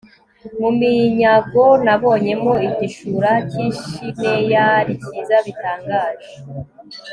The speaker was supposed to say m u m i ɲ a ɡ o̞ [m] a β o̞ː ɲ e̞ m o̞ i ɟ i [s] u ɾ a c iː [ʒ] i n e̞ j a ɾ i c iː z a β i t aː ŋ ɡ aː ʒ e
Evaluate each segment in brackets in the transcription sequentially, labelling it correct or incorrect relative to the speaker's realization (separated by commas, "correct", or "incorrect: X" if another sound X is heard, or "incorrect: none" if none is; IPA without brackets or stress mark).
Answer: incorrect: n, incorrect: ʃ, incorrect: ʃ